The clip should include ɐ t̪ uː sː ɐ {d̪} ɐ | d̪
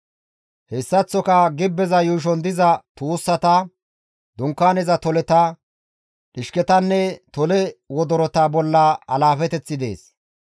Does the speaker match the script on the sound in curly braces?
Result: no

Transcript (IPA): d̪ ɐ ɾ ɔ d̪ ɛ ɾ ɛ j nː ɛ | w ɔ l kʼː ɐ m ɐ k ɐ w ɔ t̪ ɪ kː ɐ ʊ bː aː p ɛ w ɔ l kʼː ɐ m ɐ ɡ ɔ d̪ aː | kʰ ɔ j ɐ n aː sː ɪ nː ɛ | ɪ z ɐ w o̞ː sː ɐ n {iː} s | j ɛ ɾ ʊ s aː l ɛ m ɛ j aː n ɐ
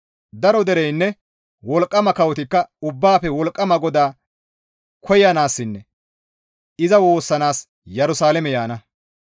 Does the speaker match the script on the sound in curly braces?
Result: no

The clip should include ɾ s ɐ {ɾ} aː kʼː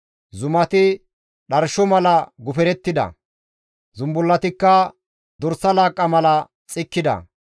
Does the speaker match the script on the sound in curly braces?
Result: no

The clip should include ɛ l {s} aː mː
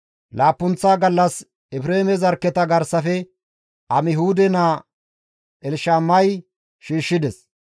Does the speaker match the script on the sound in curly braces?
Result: no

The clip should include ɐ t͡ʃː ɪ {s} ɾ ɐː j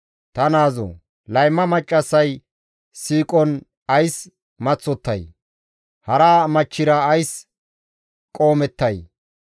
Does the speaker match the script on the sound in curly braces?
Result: no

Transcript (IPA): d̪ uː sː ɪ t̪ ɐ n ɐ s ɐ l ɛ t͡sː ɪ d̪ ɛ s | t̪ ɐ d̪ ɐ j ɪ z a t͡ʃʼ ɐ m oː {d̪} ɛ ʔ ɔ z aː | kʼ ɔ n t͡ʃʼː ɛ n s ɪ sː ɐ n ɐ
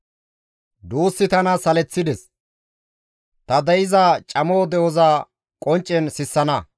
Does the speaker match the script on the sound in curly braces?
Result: yes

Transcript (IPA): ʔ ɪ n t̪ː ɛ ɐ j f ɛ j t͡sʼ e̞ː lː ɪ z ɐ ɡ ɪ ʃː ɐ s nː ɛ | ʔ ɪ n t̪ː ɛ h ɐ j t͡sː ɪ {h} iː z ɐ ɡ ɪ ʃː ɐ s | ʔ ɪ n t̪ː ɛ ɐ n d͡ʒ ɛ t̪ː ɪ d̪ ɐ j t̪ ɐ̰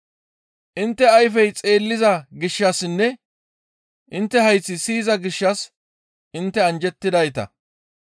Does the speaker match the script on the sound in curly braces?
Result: no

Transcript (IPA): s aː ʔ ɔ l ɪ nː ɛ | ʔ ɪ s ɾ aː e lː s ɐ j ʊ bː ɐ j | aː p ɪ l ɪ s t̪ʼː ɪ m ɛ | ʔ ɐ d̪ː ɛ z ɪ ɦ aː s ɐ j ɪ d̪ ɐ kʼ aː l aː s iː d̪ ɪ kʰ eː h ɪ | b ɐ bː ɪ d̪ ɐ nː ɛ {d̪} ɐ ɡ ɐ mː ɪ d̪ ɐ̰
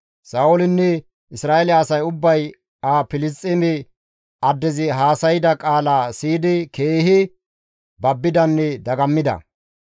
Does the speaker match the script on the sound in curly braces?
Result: yes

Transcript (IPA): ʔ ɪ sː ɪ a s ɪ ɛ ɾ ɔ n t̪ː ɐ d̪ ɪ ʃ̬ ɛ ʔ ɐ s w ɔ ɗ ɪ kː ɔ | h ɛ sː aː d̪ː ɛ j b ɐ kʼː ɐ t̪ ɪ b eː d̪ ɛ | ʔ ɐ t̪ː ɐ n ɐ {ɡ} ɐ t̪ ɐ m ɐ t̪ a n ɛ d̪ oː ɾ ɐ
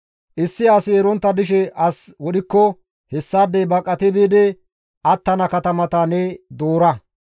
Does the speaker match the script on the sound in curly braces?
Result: no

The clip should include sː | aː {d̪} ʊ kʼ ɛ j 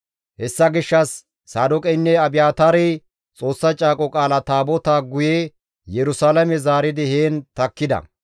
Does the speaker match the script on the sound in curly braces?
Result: yes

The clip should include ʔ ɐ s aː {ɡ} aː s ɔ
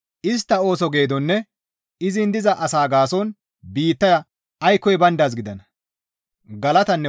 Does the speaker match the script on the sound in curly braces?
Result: yes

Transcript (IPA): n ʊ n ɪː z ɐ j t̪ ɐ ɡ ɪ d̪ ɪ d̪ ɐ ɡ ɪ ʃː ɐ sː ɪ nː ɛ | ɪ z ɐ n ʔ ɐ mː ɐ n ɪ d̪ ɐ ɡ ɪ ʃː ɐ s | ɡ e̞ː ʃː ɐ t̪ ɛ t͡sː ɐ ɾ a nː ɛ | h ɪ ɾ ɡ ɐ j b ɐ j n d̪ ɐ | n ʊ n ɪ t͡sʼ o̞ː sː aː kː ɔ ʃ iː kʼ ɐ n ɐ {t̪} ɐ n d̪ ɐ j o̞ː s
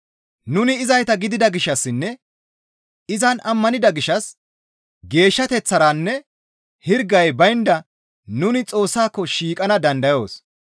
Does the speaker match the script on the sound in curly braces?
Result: no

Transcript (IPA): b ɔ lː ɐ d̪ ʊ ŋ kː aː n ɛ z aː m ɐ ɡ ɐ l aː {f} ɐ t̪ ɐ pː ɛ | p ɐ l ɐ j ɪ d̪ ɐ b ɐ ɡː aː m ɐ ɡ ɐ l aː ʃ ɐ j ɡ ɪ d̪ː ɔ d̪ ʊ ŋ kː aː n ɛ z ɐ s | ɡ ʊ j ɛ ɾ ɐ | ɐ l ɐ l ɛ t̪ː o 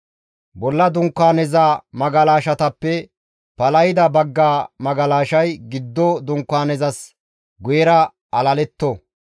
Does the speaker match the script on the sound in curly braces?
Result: no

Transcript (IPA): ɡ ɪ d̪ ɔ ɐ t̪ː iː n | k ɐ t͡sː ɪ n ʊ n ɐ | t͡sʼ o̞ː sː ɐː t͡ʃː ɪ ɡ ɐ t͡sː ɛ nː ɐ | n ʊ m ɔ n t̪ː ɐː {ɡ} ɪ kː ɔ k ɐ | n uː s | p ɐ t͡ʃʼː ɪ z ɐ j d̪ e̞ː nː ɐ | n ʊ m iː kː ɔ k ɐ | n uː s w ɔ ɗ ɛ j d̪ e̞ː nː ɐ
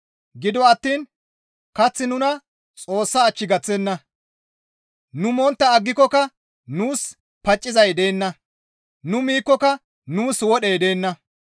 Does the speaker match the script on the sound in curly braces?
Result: no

